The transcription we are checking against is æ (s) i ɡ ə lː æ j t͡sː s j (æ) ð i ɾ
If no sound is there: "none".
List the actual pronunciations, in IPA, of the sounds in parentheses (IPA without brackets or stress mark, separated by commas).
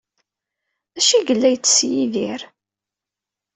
ʃ, i